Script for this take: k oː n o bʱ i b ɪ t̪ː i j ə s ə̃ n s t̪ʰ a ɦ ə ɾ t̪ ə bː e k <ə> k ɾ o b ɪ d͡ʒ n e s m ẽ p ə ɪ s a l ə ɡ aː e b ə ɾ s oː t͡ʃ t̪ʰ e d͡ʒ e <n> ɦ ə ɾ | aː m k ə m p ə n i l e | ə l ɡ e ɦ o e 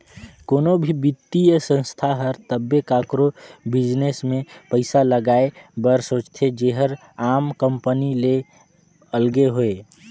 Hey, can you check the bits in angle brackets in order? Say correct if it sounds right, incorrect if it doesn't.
incorrect, incorrect

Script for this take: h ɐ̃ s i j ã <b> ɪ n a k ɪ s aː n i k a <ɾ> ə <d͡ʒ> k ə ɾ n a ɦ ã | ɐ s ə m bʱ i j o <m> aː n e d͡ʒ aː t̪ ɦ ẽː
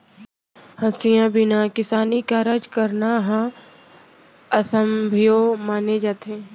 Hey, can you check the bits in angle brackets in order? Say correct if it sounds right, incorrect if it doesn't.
correct, correct, correct, correct

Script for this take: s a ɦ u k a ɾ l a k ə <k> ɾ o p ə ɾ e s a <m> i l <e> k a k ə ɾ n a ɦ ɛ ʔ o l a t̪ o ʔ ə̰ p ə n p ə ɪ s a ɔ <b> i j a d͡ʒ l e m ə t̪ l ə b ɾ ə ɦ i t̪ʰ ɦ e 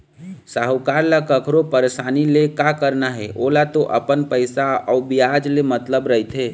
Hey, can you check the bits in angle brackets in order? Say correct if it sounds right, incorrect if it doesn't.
incorrect, incorrect, correct, correct

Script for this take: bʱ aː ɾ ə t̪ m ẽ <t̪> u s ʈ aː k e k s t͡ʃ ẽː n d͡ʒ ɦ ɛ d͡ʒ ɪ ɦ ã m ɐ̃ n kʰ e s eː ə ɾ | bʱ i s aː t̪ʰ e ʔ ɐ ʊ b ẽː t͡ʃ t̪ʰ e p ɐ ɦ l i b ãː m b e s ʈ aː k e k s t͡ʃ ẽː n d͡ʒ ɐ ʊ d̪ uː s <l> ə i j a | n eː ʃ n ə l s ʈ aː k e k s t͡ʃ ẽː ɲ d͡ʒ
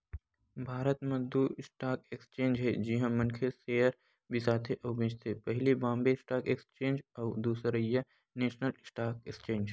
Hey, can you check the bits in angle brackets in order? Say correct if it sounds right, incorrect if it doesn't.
incorrect, incorrect

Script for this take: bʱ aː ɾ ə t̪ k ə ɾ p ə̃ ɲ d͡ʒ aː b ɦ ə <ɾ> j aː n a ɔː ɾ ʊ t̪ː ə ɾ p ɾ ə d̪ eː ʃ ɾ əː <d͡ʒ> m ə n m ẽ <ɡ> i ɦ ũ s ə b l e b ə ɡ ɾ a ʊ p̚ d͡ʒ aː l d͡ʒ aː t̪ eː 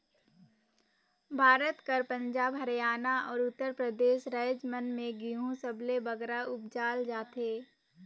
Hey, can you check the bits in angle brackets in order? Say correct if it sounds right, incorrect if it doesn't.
correct, correct, correct

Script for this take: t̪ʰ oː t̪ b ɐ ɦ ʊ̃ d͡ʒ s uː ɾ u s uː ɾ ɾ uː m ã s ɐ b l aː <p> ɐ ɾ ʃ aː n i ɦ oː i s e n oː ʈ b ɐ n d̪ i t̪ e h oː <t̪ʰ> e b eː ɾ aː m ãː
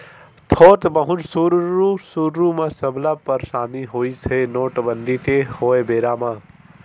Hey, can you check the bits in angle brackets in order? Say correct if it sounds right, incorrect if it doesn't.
correct, incorrect

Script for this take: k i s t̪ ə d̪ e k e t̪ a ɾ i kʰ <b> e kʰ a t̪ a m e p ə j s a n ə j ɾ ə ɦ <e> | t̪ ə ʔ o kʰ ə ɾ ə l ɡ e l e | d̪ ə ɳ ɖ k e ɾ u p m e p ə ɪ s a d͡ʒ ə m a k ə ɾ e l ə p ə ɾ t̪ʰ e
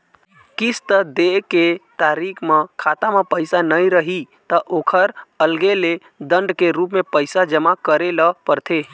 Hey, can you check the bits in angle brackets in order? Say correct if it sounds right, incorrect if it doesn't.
incorrect, incorrect

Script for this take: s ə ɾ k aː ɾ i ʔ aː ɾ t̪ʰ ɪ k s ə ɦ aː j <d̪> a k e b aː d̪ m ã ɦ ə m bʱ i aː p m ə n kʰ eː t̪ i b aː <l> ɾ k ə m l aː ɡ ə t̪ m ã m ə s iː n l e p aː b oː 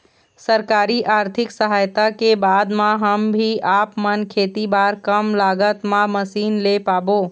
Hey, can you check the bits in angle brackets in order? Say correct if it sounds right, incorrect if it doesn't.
incorrect, incorrect

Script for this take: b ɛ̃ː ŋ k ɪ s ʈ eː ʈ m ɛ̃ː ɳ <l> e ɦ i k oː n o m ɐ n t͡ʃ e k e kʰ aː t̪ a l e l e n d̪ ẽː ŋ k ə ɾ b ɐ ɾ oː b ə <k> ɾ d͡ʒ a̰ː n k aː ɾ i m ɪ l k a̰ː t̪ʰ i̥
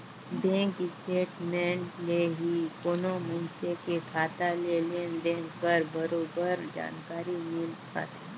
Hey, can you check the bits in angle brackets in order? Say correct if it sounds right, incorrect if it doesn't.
correct, incorrect

